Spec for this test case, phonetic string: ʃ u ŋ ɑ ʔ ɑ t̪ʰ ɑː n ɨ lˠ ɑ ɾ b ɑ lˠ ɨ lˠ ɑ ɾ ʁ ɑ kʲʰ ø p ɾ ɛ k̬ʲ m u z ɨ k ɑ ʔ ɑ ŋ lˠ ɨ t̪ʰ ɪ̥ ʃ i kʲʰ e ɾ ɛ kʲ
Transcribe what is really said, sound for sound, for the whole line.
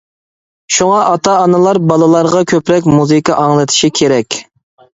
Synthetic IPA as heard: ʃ u ŋ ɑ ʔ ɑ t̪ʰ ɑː n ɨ lˠ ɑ ɾ b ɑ lˠ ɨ lˠ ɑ ɾ ʁ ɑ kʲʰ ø p ɾ ɛ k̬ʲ m u z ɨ k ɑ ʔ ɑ ŋ lˠ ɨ t̪ʰ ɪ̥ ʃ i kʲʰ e ɾ ɛ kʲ